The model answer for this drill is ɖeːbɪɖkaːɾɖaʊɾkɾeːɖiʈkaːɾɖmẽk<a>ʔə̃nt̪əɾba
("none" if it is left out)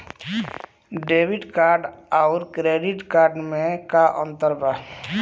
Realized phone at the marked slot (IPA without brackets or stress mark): a